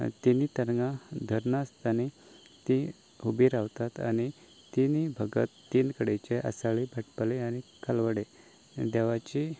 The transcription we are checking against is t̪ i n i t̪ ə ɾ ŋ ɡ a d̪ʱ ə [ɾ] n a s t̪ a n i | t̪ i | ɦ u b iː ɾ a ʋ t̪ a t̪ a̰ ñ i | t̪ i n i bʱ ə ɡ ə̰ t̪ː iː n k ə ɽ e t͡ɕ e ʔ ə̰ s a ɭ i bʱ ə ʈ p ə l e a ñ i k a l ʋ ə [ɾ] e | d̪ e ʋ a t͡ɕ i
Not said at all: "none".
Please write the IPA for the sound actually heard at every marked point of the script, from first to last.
ɾ, ɽ

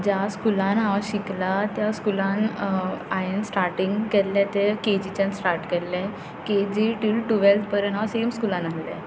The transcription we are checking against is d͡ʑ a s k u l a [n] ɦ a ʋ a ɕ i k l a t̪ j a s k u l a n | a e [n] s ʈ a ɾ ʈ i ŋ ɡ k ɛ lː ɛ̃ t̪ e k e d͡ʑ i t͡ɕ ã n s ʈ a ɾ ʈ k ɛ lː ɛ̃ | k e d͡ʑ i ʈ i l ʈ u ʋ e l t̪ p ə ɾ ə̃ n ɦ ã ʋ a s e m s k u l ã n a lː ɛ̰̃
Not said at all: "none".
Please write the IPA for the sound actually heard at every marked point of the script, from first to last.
n, n

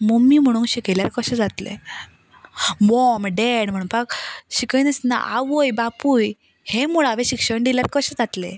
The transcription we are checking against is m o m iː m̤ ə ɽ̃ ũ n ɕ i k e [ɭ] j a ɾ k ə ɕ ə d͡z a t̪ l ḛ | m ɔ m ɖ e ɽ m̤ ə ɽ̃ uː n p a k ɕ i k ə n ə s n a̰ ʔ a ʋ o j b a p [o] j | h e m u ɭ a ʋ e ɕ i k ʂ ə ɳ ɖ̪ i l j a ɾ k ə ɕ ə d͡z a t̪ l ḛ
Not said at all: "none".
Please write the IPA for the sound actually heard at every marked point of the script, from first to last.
l, u

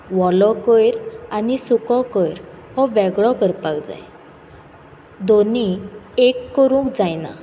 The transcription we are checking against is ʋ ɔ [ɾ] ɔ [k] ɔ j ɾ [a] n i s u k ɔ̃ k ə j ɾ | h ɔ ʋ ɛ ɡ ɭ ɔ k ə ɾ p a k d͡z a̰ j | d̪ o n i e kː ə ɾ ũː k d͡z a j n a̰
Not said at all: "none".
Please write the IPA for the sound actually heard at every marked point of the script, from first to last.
l, k, a

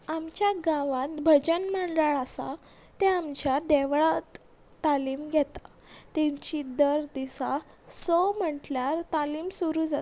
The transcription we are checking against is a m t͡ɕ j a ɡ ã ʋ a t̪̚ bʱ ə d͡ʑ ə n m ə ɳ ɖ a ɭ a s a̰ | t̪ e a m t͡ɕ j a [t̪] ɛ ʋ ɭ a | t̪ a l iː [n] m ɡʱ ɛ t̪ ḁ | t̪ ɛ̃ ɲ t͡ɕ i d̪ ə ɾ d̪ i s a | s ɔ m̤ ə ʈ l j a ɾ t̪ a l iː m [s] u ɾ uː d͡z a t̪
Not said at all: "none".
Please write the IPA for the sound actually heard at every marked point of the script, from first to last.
d̪, none, s

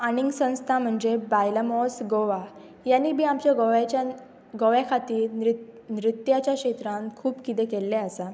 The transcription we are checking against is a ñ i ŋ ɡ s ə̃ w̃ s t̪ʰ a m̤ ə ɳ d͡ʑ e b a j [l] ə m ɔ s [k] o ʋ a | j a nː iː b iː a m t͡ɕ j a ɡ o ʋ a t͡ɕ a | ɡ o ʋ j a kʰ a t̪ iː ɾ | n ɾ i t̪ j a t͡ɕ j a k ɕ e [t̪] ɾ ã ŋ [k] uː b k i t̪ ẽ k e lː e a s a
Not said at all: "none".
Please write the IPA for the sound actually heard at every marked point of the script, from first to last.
l, ɡ, t̪, kʰ

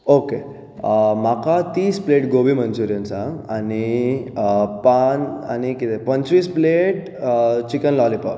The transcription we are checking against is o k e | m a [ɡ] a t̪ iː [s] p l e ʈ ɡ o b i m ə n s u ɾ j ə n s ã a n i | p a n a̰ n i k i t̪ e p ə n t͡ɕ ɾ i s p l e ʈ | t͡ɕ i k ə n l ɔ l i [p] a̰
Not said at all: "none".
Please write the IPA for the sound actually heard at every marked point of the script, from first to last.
k, s, p

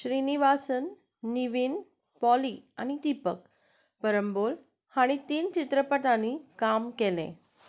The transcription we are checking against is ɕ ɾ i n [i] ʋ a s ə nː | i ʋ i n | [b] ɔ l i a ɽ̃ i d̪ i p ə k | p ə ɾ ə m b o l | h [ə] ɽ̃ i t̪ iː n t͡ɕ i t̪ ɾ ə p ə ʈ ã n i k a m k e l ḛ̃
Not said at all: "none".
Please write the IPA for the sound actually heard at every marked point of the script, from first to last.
i, p, a

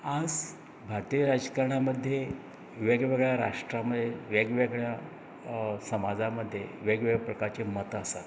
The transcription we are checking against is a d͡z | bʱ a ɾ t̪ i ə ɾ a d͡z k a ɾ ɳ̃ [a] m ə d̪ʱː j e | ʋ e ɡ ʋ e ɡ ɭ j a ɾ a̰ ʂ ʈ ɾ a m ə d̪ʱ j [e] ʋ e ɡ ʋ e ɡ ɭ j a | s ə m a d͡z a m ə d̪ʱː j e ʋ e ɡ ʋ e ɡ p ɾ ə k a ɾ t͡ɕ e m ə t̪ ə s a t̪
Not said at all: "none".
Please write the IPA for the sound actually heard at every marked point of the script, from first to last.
a, e

